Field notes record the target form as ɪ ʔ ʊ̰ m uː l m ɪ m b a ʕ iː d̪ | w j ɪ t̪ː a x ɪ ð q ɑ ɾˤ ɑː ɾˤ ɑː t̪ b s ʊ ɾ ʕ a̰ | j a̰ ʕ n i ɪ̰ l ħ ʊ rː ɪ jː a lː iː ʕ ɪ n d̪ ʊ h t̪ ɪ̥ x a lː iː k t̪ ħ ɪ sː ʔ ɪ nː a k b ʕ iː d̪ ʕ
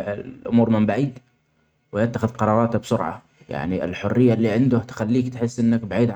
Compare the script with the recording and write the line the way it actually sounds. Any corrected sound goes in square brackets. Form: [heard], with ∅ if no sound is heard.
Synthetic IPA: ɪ ʔ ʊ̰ m uː [ɾ] m ɪ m b a ʕ iː d̪ | w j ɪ t̪ː a x ɪ ð q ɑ ɾˤ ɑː ɾˤ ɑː t̪ b s ʊ ɾ ʕ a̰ | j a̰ ʕ n i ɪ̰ l ħ ʊ rː ɪ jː a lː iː ʕ ɪ n d̪ ʊ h t̪ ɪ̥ x a lː iː k t̪ ħ ɪ sː ʔ ɪ nː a k b ʕ iː d̪ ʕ